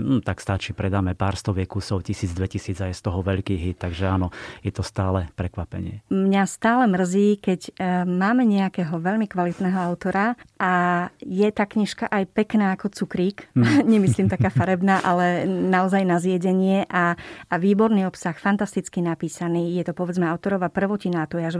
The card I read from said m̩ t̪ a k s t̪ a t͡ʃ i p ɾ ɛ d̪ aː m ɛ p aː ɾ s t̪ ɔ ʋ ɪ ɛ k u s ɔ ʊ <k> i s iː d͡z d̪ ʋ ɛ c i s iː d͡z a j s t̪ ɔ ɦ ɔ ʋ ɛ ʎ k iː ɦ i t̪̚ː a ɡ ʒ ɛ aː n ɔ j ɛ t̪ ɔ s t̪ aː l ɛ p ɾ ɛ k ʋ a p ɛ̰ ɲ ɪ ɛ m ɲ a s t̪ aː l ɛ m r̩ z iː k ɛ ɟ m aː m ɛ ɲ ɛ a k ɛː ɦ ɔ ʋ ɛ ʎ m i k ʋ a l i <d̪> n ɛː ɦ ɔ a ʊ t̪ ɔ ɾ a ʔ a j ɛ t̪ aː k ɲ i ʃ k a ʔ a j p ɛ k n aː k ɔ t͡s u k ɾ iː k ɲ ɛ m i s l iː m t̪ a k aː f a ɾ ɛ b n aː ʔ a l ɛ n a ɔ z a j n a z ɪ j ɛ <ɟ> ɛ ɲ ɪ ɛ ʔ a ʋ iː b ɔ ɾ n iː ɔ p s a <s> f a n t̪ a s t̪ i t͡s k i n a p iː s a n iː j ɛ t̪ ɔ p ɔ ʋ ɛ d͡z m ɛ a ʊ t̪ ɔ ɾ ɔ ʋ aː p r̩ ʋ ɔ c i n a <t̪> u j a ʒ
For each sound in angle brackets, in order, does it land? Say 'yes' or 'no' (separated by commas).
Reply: no, no, yes, no, yes